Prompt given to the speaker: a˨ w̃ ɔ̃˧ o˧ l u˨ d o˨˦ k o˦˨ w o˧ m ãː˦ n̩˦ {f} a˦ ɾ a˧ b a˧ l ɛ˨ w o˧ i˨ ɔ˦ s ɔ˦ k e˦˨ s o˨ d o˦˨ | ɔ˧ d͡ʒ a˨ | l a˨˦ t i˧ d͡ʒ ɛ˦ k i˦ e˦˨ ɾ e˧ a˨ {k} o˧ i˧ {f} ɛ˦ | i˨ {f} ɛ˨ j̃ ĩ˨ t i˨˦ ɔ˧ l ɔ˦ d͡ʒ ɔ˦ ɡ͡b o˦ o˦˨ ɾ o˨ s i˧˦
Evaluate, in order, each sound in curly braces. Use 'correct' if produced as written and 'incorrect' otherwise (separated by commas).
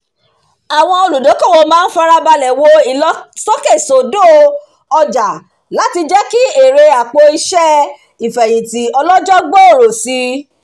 correct, incorrect, incorrect, correct